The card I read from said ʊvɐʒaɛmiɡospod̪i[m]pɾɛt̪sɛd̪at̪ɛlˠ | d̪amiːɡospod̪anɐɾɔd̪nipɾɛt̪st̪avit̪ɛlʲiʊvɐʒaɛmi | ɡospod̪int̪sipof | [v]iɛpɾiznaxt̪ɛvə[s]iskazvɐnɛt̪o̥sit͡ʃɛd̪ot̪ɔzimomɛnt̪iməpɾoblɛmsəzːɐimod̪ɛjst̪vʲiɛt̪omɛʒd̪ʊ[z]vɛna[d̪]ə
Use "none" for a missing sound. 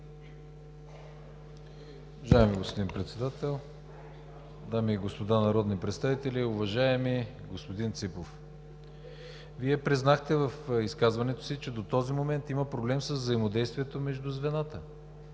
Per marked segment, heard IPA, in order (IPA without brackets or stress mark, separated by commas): n, v, f, z, t̪